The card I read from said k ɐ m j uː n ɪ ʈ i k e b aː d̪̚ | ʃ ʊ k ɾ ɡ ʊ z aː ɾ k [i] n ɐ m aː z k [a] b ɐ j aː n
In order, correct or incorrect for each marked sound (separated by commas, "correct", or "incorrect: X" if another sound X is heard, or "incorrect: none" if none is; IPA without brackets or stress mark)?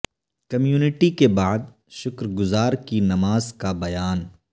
correct, correct